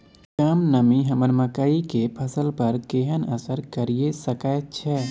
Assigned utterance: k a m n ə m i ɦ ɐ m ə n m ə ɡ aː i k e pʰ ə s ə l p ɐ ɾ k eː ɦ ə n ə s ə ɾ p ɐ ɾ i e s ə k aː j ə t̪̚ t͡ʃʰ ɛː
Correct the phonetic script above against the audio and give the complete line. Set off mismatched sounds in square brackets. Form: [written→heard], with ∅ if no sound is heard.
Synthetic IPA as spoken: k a m n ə m i ɦ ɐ m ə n m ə [ɡ→k] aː i k e pʰ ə s ə l p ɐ ɾ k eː ɦ ə n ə s ə ɾ [p→k] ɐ ɾ i e s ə k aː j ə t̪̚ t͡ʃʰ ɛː